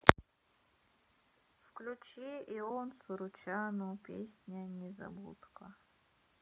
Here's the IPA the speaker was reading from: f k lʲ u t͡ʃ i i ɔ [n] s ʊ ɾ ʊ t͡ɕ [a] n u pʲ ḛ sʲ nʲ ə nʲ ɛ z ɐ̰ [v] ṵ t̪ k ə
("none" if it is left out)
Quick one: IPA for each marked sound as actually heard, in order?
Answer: n, a, b

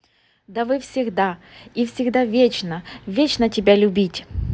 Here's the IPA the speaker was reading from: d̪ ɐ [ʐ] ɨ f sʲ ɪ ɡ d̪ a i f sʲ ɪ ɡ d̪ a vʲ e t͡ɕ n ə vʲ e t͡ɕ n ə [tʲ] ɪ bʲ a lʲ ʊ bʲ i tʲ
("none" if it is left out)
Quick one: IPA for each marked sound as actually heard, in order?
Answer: v, tʲ

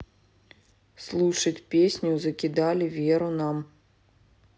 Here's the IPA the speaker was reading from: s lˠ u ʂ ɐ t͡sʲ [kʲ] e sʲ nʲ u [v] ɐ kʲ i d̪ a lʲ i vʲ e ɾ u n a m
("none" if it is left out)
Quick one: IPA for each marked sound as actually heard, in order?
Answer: pʲ, z

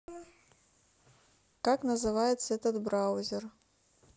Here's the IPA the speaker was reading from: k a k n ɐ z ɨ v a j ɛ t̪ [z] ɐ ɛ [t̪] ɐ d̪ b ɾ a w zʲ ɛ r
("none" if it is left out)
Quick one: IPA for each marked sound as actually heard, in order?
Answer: s, t̪

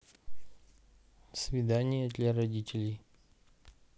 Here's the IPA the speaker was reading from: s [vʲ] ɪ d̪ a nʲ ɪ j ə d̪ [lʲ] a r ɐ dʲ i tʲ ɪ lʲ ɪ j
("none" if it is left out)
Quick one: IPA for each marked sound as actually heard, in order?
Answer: vʲ, lʲ

